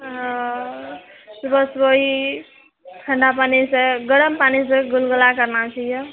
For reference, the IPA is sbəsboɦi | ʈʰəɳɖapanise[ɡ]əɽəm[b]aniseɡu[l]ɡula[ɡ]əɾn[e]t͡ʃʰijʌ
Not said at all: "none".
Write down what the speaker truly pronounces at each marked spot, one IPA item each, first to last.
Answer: ɡ, p, l, k, a

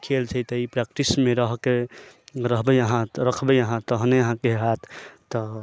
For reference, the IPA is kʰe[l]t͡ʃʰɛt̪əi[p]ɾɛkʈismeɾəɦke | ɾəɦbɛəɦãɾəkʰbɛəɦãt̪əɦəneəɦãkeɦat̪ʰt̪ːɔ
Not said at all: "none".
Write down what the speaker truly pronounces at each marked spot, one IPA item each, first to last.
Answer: l, p

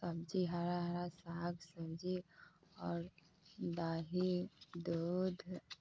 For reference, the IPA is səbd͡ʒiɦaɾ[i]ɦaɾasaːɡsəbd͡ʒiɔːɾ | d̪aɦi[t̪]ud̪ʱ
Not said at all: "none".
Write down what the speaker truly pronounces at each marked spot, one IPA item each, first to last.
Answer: a, d̪

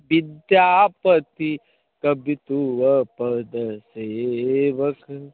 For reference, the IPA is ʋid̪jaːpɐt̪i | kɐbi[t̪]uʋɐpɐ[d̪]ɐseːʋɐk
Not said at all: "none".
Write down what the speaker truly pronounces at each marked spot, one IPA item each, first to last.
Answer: t̪, d̪

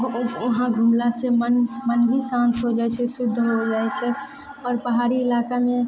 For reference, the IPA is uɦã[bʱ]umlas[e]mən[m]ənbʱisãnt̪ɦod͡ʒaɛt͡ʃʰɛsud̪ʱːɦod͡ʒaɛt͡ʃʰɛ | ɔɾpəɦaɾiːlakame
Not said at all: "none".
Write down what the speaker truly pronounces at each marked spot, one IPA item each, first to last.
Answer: ɡʱ, e, m

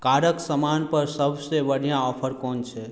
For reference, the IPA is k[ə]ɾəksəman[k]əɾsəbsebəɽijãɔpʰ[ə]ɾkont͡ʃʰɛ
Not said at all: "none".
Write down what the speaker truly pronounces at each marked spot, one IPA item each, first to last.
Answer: a, p, ə

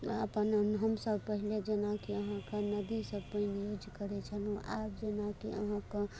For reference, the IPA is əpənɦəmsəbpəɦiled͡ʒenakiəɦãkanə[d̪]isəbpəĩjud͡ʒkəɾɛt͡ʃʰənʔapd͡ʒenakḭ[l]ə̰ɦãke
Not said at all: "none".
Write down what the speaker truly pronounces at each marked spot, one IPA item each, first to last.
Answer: d̪, none

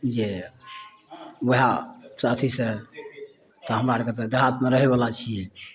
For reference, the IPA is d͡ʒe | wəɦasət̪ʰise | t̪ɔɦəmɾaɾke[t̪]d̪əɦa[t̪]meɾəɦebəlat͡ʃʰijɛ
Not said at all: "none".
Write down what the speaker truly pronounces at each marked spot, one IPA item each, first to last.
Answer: t̪, t̪

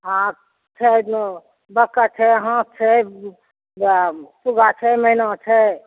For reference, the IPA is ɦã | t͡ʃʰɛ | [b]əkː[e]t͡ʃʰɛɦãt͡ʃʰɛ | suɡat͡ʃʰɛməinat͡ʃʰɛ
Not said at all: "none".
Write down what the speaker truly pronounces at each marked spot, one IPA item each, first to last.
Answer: b, a

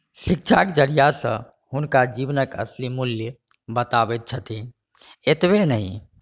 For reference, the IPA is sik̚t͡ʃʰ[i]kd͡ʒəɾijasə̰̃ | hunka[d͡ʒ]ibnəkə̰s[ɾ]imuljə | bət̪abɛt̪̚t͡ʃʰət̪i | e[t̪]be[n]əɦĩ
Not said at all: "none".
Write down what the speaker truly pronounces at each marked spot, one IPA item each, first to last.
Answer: a, d͡ʒ, l, t̪, n

